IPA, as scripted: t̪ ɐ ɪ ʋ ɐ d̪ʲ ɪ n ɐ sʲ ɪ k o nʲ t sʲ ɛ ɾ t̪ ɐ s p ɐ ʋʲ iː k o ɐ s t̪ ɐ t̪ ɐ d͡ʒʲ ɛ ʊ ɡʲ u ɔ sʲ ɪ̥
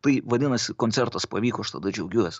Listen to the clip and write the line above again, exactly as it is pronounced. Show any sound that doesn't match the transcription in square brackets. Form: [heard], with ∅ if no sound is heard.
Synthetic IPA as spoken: t̪ ɐ ɪ ʋ ɐ d̪ʲ ɪ n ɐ sʲ ɪ k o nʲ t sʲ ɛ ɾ t̪ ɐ s p ɐ ʋʲ iː k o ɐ [ʃ] t̪ ɐ [d̪] ɐ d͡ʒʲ ɛ ʊ ɡʲ u ɔ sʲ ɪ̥

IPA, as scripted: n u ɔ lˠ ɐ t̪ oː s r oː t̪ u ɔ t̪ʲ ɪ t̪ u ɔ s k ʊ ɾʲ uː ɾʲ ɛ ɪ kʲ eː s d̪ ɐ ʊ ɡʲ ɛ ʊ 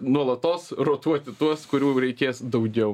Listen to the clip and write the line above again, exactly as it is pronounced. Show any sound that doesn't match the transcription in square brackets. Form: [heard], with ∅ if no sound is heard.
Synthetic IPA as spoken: n u ɔ lˠ ɐ t̪ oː s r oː t̪ u ɔ t̪ʲ ɪ t̪ u ɔ s k ʊ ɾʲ uː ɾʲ ɛ ɪ kʲ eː s d̪ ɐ ʊ ɡʲ ɛ ʊ

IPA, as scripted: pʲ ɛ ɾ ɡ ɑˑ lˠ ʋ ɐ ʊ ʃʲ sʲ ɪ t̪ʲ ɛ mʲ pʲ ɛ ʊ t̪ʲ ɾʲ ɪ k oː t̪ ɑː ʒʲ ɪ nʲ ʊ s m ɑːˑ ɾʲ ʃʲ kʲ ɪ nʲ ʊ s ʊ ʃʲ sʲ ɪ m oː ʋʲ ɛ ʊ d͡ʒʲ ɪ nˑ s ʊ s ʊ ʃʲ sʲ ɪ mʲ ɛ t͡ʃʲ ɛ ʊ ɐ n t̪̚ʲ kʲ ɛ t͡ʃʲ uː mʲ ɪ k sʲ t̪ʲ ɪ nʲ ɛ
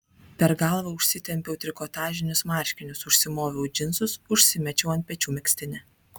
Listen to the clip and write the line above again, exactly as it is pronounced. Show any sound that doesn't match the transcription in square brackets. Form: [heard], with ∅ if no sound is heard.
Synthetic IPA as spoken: pʲ ɛ ɾ ɡ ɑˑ lˠ ʋ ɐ ʊ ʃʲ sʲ ɪ t̪ʲ ɛ mʲ pʲ ɛ ʊ t̪ʲ ɾʲ ɪ k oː t̪ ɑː ʒʲ ɪ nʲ ʊ s m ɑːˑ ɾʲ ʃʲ kʲ ɪ nʲ ʊ s ʊ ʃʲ sʲ ɪ m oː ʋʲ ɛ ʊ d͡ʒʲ ɪ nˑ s ʊ s ʊ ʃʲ sʲ ɪ mʲ ɛ t͡ʃʲ ɛ ʊ ɐ n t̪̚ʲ [pʲ] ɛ t͡ʃʲ uː mʲ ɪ k sʲ t̪ʲ ɪ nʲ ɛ

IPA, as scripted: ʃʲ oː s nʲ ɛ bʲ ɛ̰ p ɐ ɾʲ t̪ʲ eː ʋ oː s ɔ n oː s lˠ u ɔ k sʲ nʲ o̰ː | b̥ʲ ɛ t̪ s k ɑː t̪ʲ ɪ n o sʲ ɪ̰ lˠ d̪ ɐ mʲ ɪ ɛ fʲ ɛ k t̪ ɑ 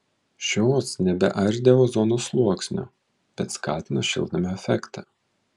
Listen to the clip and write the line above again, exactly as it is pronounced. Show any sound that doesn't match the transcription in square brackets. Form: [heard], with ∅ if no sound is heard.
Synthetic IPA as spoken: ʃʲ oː s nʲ ɛ bʲ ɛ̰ [ʔ] ɐ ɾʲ [d̪ʲ] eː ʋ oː [z] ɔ n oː s lˠ u ɔ k sʲ nʲ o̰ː | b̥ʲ ɛ t̪ s k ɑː t̪ʲ ɪ n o [ʃʲ] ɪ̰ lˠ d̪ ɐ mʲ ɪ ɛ fʲ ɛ k t̪ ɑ

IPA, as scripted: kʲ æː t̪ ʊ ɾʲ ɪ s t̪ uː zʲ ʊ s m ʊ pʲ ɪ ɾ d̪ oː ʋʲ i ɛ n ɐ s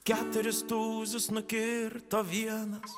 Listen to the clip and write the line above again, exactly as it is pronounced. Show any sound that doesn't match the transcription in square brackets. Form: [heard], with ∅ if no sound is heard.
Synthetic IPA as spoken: kʲ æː t̪ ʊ ɾʲ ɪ s t̪ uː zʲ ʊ s [n] ʊ [kʲ] ɪ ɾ [t̪] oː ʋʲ i ɛ n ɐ s

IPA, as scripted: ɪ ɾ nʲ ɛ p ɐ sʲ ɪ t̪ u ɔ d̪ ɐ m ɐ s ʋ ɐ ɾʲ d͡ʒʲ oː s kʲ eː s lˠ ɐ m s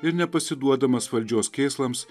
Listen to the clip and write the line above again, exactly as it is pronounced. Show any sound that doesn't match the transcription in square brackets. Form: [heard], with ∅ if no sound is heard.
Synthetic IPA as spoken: ɪ ɾ nʲ ɛ p ɐ sʲ ɪ [d̪] u ɔ d̪ ɐ m ɐ s ʋ ɐ [lʲ] d͡ʒʲ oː s kʲ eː s lˠ ɐ m s

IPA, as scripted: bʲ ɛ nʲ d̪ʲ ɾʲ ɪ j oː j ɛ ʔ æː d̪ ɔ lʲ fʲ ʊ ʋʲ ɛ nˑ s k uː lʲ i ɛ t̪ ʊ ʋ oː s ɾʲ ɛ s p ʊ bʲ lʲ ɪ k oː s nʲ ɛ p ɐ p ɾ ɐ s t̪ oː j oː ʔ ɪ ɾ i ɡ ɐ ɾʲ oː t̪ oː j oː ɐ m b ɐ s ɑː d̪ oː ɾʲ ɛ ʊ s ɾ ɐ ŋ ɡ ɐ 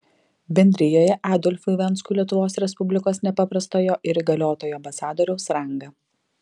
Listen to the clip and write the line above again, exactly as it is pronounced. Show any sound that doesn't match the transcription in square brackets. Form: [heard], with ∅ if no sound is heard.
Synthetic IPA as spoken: bʲ ɛ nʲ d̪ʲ ɾʲ ɪ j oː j ɛ ʔ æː d̪ ɔ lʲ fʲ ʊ ʋʲ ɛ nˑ s k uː lʲ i ɛ t̪ ʊ ʋ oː s ɾʲ ɛ s p ʊ bʲ lʲ ɪ k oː s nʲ ɛ p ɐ p ɾ ɐ s t̪ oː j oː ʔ ɪ ɾ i ɡ ɐ [lʲ] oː t̪ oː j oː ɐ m b ɐ s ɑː d̪ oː ɾʲ ɛ ʊ s ɾ ɐ ŋ ɡ ɐ

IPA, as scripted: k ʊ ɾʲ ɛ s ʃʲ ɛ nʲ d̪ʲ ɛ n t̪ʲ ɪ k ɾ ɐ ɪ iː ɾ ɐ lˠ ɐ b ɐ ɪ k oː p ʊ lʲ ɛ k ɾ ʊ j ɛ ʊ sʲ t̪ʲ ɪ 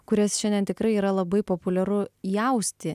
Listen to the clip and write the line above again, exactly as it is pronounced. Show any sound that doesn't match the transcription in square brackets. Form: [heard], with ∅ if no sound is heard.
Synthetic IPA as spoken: k ʊ ɾʲ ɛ s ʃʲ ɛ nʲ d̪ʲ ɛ n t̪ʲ ɪ k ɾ ɐ ɪ iː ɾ ɐ lˠ ɐ b ɐ ɪ [p] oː p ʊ lʲ ɛ [∅] ɾ ʊ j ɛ ʊ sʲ t̪ʲ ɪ

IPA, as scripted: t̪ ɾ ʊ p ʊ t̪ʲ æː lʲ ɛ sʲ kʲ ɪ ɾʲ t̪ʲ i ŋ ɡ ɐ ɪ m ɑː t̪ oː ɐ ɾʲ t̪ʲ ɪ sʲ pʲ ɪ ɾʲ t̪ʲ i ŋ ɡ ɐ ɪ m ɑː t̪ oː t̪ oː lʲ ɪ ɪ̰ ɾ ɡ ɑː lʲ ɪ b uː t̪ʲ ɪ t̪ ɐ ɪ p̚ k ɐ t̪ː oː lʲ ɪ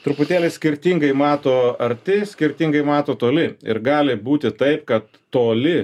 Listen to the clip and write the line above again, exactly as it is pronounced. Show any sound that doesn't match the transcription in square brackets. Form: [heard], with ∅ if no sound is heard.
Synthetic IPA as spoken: t̪ ɾ ʊ p ʊ t̪ʲ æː lʲ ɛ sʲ kʲ ɪ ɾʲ t̪ʲ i ŋ ɡ ɐ ɪ m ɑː t̪ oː ɐ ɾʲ t̪ʲ ɪ sʲ [kʲ] ɪ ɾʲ t̪ʲ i ŋ ɡ ɐ ɪ m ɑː t̪ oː t̪ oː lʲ ɪ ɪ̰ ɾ ɡ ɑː lʲ ɪ b uː t̪ʲ ɪ t̪ ɐ ɪ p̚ k ɐ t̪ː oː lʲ ɪ

